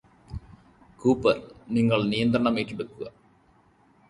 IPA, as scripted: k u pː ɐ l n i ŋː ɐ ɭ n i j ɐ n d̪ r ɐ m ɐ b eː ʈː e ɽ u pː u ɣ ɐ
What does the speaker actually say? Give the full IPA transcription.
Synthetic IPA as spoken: k uː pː ɐ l n i ŋː ɐ ɭ n i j ɐ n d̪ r ɐ ɳ ɐ m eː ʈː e ɽ u kː u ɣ ɐ